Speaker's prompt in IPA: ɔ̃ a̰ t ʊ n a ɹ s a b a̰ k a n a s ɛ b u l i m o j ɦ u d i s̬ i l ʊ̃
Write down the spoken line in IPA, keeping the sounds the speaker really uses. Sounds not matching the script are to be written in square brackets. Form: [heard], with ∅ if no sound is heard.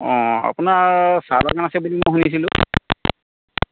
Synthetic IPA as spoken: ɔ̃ a̰ [p] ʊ n a ɹ s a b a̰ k a n a s ɛ b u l i m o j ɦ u [n] i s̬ i l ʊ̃